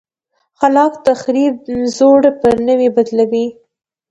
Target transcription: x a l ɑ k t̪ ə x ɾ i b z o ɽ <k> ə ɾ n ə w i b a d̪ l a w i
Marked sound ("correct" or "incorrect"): incorrect